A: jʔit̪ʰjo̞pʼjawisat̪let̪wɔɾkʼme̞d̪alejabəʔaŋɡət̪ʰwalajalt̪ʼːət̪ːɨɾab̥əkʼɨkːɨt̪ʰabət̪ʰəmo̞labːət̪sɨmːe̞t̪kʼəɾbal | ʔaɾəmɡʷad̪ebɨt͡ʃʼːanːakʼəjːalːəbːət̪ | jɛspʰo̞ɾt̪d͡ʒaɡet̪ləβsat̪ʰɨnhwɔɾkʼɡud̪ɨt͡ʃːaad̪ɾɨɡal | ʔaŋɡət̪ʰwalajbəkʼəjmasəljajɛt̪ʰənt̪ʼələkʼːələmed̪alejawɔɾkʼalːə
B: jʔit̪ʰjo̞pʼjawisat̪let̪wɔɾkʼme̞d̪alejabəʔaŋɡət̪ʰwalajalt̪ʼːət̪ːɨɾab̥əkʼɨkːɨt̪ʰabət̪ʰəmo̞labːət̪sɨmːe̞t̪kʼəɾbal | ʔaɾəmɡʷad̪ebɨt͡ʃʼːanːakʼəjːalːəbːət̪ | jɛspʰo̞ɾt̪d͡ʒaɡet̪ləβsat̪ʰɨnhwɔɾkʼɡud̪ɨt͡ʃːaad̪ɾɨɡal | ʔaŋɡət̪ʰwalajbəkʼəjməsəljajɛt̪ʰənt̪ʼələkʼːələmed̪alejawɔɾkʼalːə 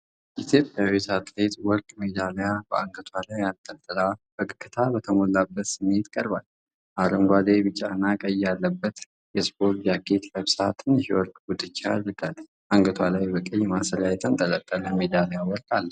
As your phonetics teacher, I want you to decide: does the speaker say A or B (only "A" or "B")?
A